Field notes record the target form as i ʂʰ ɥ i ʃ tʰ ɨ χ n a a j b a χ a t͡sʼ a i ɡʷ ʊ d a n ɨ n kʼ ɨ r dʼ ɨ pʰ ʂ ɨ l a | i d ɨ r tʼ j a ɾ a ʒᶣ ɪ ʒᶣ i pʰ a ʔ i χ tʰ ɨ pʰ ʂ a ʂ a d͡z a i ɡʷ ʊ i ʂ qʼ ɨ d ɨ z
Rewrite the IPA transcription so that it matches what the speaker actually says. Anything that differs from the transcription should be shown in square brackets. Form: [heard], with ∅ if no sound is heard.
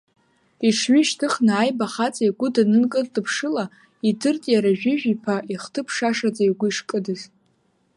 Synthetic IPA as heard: i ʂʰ ɥ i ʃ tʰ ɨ χ n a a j b a χ a t͡sʼ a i ɡʷ ʊ d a n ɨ n kʼ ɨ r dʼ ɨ pʰ ʂ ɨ l a | i d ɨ r tʼ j a ɾ a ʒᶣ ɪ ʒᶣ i pʰ a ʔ i χ tʰ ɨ pʰ ʂ a ʂ a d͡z a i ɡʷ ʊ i ʂ [kʼ] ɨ d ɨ z